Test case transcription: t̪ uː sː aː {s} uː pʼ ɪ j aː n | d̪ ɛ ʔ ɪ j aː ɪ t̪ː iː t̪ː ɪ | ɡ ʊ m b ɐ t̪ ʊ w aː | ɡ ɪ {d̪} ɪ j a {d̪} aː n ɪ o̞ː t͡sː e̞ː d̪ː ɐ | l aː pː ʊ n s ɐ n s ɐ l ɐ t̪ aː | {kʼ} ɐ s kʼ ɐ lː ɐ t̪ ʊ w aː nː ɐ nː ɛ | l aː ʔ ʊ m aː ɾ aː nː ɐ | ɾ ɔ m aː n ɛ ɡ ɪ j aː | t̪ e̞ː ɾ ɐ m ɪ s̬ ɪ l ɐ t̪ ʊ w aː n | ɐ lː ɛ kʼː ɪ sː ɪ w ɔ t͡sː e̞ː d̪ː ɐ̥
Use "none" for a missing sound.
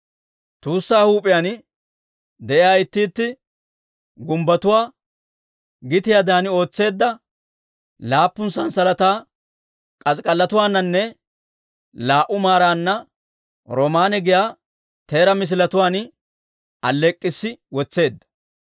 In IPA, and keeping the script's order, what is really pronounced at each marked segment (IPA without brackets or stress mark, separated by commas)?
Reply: h, t̪, d̪, kʼ